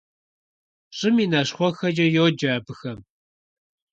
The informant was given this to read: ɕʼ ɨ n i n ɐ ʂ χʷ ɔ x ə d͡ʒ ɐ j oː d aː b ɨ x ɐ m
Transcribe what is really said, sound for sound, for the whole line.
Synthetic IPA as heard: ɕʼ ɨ m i n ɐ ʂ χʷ ɔ x ɐ d͡ʒ ɐ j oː d͡ʒ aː b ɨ x ɐ m